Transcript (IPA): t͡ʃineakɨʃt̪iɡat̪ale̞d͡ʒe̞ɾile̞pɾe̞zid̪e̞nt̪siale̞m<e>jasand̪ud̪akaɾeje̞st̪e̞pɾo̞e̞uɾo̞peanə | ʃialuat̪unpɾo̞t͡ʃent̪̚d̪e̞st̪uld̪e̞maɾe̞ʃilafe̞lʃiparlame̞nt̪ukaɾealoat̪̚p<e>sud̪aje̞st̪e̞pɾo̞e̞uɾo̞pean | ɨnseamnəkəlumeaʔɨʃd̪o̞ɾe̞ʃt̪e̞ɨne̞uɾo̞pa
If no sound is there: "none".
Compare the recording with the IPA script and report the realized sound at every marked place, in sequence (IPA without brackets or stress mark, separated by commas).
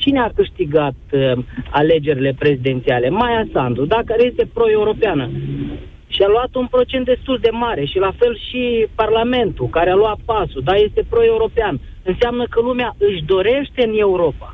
a, a